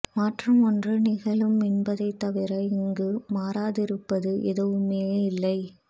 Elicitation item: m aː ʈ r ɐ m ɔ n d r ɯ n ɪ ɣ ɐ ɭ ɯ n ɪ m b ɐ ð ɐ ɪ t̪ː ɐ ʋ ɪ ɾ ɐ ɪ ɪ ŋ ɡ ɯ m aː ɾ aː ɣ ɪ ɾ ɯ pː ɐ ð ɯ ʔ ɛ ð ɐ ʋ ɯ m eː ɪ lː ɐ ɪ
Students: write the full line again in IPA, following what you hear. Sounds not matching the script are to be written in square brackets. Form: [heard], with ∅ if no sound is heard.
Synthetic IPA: m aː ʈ r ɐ m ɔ n d r ɯ n ɪ ɣ ɐ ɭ ɯ [m] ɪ [n] b ɐ ð ɐ ɪ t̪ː ɐ ʋ ɪ ɾ ɐ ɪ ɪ ŋ ɡ ɯ m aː ɾ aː [ð] ɪ ɾ ɯ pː ɐ ð ɯ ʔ ɛ ð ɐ ʋ ɯ m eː ɪ lː ɐ ɪ